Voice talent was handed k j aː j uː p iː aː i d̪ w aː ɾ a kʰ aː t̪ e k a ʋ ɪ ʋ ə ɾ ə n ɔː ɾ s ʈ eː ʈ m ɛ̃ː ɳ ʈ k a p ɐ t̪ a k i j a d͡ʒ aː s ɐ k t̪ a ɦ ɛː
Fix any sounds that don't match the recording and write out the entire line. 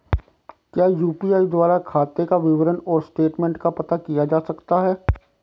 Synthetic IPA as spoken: k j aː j uː p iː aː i d̪ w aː ɾ a kʰ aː t̪ e k a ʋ ɪ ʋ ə ɾ ə n ɔː ɾ s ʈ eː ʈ m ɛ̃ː ɳ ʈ k a p ɐ t̪ a k i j a d͡ʒ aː s ɐ k t̪ a ɦ ɛː

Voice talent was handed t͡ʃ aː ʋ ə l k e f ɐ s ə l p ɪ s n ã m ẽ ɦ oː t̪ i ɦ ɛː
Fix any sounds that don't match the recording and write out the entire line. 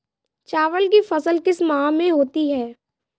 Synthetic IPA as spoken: t͡ʃ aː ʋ ə l k i f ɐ s ə l k ɪ s m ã m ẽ ɦ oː t̪ i ɦ ɛː

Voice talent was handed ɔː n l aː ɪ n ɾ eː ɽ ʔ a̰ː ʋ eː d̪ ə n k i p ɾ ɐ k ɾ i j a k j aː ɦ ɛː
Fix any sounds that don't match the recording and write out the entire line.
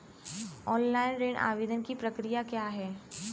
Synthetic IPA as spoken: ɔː n l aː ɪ n ɾ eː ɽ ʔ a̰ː ʋ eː d̪ ə n k i p ɾ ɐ k ɾ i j a k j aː ɦ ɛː

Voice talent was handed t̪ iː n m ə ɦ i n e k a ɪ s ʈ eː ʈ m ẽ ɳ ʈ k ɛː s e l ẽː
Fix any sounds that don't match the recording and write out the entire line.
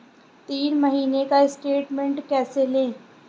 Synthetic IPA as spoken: t̪ iː n m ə ɦ iː n e k a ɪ s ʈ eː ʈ m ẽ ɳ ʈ k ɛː s e l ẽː

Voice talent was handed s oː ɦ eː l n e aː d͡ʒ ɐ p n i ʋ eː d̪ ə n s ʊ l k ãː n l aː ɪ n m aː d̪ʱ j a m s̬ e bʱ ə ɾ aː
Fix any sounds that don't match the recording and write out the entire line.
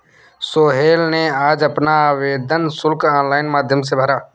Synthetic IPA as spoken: s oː ɦ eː l n e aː d͡ʒ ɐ p n a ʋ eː d̪ ə n s ʊ l k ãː n l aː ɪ n m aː d̪ʱ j ə m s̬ e bʱ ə ɾ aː

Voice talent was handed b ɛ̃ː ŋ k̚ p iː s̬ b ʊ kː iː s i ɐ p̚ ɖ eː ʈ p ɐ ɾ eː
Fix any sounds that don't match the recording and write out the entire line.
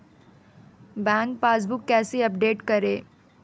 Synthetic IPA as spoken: b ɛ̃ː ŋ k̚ p aː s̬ b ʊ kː ɛː s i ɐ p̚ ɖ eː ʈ k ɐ ɾ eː

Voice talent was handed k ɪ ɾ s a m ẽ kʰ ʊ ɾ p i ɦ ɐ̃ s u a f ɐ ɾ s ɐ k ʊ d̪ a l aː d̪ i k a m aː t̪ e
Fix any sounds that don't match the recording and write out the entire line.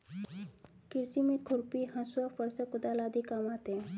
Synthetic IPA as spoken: k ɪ ɾ s i m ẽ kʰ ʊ ɾ p i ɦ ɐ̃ s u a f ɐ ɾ s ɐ k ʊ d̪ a l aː d̪ i k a m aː t̪ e

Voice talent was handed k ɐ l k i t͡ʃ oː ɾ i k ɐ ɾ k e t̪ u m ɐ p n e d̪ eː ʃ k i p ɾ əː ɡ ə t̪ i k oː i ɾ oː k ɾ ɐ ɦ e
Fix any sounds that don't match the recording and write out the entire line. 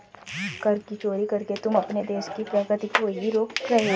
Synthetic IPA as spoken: k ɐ ɾ k i t͡ʃ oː ɾ i k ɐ ɾ k e t̪ ʊ m ɐ p n e d̪ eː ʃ k i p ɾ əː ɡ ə t̪ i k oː i ɾ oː k ɾ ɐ ɦ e

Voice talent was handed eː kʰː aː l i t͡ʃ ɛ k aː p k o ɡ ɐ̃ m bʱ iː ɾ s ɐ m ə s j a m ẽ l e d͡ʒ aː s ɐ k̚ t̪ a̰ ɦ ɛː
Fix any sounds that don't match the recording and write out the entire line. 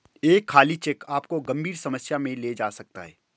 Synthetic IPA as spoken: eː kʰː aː l i t͡ʃ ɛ k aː p k o ɡ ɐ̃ m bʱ iː ɾ s ɐ m ə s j a m ẽ l e d͡ʒ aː s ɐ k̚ t̪ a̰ ɦ ɛː

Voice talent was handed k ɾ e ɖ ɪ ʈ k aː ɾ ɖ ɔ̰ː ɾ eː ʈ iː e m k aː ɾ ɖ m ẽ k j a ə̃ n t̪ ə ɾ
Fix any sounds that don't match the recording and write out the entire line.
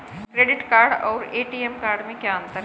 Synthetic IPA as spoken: k ɾ e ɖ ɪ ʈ k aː ɾ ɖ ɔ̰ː ɾ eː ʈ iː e m k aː ɾ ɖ m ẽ k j a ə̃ n t̪ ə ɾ

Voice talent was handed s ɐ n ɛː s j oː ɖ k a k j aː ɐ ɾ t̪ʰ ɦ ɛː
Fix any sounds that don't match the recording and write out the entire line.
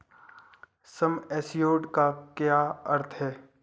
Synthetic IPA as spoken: s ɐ m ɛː s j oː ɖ k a k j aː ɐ ɾ t̪ʰ ɦ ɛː

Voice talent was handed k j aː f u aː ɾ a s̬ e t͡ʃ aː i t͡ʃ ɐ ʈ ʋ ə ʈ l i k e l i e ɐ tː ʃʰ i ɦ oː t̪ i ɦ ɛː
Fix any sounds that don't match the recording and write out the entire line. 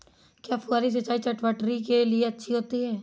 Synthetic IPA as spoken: k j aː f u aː ɾ i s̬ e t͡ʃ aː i t͡ʃ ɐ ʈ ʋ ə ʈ ɾ i k e l i e ɐ tː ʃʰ i ɦ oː t̪ i ɦ ɛː

